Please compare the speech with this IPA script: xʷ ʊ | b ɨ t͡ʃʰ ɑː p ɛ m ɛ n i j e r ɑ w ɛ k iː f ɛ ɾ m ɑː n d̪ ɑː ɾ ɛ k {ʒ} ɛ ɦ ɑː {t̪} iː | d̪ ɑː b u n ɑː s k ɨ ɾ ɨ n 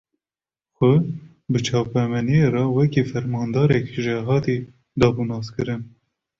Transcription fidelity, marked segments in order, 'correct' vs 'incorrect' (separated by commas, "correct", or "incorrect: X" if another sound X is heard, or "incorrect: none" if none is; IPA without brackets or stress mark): correct, correct